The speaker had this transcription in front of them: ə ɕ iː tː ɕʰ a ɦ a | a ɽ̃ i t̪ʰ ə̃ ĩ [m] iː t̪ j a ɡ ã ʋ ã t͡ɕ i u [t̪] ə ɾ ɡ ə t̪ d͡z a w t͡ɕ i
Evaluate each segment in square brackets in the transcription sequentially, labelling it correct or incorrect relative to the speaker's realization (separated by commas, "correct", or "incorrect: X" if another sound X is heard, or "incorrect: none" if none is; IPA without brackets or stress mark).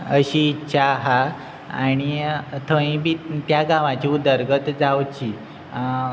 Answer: incorrect: b, incorrect: d̪